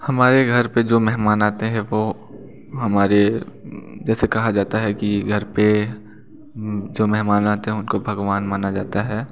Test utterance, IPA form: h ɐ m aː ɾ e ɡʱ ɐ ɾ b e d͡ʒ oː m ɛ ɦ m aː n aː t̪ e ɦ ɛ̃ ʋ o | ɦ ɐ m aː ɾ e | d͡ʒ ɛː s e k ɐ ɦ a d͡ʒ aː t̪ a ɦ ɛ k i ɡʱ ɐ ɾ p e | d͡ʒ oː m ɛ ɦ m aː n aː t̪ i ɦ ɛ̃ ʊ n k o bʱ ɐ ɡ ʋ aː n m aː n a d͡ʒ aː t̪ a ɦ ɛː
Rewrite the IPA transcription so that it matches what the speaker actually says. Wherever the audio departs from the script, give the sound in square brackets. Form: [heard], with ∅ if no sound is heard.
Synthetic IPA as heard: h ɐ m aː ɾ e ɡʱ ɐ ɾ [p] e d͡ʒ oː m ɛ ɦ m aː n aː t̪ e ɦ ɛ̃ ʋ o | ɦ ɐ m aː ɾ e | d͡ʒ ɛː s e k ɐ ɦ a d͡ʒ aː t̪ a ɦ ɛ k i ɡʱ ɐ ɾ p e | d͡ʒ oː m ɛ ɦ m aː n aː t̪ [e] ɦ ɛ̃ ʊ n k o bʱ ɐ ɡ ʋ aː n m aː n a d͡ʒ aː t̪ a ɦ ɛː